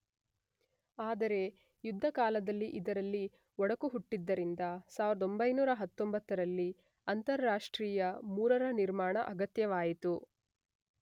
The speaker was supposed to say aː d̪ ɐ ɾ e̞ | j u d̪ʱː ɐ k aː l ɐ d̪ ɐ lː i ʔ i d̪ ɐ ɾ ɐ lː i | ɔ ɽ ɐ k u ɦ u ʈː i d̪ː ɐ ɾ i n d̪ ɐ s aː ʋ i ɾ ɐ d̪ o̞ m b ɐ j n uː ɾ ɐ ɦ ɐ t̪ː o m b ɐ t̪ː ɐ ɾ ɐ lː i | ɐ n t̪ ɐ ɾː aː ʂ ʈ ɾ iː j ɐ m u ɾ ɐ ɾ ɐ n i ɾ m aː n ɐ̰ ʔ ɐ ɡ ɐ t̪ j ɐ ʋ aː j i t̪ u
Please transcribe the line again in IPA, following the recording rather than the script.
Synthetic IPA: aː d̪ ɐ ɾ e̞ | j u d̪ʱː ɐ k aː l ɐ d̪ ɐ lː i ʔ i d̪ ɐ ɾ ɐ lː i | ɔ ɽ ɐ k u ɦ u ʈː i d̪ː ɐ ɾ i n d̪ ɐ s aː ʋ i ɾ ɐ d̪ o̞ m b ɐ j n uː ɾ ɐ ɦ ɐ t̪ː o m b ɐ t̪ː ɐ ɾ ɐ lː i | ɐ n t̪ ɐ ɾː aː ʂ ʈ ɾ iː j ɐ m uː ɾ ɐ ɾ ɐ n i ɾ m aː ɳ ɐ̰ ʔ ɐ ɡ ɐ t̪ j ɐ ʋ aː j i t̪ u